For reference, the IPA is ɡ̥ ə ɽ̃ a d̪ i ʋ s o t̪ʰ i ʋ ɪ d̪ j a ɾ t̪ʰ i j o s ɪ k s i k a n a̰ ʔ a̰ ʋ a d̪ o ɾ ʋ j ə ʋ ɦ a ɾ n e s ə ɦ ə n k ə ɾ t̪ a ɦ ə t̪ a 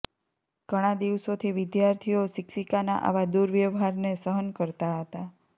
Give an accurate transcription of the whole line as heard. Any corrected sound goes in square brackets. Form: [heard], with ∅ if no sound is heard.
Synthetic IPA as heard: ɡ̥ ə ɽ̃ a d̪ i ʋ s o t̪ʰ i ʋ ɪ d̪ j a ɾ t̪ʰ i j o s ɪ k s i k a n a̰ ʔ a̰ ʋ a d̪ [u] ɾ ʋ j ə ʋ ɦ a ɾ n e s ə ɦ ə n k ə ɾ t̪ a ɦ ə t̪ a